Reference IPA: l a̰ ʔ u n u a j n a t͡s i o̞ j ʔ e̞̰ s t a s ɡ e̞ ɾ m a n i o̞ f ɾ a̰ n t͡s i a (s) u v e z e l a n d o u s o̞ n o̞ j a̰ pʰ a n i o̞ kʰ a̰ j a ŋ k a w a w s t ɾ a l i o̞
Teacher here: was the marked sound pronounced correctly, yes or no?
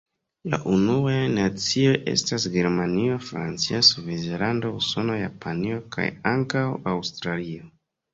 yes